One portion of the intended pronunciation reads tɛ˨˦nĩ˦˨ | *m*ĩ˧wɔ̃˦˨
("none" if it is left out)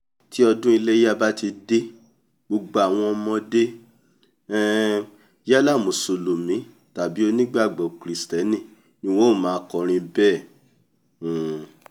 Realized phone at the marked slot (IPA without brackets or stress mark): n